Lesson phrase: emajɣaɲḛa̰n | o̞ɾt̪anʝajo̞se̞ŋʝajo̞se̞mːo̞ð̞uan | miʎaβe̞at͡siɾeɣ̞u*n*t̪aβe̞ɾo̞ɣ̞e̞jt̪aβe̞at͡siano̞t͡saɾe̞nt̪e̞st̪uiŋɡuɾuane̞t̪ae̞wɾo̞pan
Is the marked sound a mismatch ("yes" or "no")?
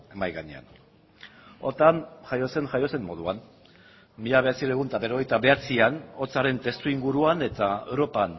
no